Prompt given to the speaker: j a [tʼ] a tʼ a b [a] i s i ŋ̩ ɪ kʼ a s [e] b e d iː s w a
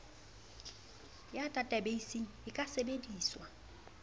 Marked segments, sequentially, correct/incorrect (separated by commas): correct, incorrect, correct